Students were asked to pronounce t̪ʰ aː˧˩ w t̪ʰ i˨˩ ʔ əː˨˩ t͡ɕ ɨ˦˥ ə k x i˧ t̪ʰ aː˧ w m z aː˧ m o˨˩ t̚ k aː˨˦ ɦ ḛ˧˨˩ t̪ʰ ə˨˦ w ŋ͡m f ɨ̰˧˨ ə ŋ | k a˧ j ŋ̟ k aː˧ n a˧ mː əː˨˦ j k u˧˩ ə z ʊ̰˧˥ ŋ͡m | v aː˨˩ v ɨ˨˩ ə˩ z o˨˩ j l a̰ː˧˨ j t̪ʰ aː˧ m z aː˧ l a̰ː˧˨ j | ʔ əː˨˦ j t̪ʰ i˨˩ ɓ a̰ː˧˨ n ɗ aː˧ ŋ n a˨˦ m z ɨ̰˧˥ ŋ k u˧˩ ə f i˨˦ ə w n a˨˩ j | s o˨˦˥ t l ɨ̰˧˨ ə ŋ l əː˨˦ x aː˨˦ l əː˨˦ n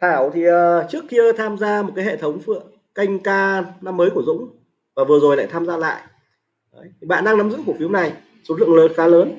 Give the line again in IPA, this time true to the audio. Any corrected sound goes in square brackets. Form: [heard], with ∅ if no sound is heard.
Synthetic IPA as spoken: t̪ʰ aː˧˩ w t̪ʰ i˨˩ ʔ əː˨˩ t͡ɕ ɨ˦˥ ə k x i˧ t̪ʰ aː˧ [∅] m z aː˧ m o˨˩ t̚ k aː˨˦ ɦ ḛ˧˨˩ t̪ʰ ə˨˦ w ŋ͡m f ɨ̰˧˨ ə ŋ | k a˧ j ŋ̟ k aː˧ n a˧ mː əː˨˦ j k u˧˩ ə z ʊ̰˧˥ ŋ͡m | v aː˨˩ v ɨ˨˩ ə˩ z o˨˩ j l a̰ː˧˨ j t̪ʰ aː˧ m z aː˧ l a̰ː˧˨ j | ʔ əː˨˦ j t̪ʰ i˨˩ ɓ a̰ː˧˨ n ɗ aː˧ ŋ n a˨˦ m z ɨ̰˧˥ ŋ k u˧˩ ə f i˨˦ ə w n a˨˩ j | s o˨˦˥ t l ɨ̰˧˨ ə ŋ l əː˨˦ x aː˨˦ l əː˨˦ n